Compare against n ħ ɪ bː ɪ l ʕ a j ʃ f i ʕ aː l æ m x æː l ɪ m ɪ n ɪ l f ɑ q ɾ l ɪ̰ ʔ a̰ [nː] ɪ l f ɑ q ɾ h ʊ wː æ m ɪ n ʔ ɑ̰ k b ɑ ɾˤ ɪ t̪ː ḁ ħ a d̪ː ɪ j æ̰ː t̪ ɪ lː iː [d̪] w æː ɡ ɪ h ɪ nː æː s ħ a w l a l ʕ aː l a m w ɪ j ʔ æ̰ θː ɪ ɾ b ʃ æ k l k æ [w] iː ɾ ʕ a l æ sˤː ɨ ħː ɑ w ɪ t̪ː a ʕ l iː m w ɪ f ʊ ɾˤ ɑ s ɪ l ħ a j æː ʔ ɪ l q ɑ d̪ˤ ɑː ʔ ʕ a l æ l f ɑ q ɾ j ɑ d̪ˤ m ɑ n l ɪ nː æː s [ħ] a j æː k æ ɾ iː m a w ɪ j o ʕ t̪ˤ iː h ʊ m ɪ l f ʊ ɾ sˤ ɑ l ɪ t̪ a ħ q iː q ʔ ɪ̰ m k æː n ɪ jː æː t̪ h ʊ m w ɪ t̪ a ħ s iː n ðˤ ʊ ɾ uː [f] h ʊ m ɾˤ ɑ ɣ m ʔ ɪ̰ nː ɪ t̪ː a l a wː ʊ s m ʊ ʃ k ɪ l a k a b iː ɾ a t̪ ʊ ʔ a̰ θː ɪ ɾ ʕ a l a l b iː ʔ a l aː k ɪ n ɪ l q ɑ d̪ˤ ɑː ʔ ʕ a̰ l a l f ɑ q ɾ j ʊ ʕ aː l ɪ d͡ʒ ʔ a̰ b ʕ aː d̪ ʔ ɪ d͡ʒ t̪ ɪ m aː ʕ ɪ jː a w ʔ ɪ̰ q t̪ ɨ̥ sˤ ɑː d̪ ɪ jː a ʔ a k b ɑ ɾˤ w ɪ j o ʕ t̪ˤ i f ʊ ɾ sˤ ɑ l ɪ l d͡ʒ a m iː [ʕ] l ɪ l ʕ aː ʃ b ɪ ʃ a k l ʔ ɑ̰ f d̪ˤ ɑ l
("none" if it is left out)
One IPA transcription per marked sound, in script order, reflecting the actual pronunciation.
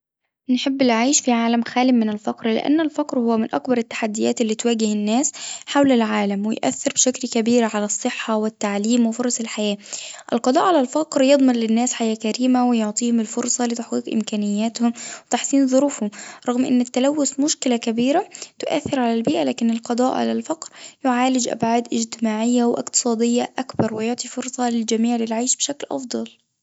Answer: nː, t̪, b, ħ, f, ʕ

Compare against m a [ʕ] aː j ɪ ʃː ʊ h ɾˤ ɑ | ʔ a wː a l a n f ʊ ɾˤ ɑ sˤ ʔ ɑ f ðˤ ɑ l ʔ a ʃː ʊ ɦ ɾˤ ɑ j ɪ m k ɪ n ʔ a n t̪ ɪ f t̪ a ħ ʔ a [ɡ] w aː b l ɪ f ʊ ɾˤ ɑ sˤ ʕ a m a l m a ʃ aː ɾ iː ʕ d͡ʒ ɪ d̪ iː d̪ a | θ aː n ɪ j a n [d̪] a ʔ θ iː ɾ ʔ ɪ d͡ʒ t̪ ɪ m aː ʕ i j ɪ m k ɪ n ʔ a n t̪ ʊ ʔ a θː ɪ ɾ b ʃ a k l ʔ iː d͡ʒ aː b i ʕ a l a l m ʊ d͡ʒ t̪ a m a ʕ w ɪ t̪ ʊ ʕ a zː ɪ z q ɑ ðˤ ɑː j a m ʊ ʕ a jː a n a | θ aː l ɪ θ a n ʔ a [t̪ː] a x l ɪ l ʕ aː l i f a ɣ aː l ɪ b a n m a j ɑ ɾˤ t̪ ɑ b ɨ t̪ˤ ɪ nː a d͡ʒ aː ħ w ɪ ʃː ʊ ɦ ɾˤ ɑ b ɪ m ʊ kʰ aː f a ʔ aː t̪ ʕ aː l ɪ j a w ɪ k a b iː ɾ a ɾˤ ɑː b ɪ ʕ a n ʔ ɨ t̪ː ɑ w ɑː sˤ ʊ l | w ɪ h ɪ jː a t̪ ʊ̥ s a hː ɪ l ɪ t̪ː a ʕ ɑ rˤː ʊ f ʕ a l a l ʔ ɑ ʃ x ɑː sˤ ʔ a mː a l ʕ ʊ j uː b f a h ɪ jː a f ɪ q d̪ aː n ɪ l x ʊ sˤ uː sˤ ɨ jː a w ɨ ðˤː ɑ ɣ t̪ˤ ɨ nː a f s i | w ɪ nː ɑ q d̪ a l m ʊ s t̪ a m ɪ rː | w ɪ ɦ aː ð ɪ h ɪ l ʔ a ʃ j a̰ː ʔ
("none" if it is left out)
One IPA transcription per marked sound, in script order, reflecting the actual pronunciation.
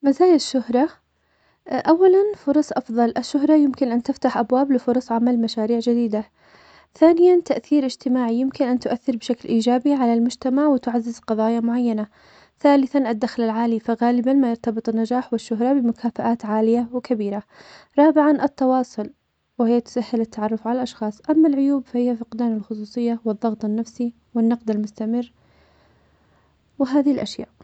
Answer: z, b, t̪, d̪ː

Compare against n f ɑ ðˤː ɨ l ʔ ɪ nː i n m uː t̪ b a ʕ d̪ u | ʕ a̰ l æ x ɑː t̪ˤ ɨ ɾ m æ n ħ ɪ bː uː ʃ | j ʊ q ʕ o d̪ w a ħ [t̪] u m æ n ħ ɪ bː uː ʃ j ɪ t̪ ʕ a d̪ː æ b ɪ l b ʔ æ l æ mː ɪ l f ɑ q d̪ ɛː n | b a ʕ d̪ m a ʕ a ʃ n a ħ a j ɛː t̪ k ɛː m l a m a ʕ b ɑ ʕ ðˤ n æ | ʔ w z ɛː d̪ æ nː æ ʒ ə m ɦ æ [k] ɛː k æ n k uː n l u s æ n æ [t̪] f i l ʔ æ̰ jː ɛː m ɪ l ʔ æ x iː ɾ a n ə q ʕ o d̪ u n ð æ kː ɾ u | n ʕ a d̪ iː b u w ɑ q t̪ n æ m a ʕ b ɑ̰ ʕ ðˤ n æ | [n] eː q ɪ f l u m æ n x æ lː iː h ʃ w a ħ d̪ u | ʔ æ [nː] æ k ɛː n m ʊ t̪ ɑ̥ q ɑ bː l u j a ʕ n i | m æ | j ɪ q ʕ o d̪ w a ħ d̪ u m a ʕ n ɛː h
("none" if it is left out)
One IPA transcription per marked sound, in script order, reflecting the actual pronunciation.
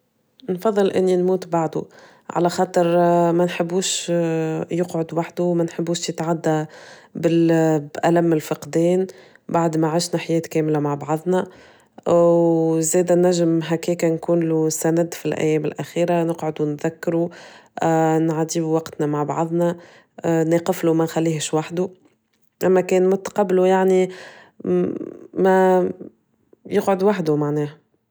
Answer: d̪, k, d̪, n, mː

